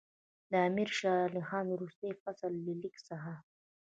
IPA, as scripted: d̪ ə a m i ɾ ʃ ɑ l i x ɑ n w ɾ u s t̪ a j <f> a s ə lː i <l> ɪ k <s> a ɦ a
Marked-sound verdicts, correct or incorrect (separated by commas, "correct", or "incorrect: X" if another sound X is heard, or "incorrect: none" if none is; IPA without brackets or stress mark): correct, correct, correct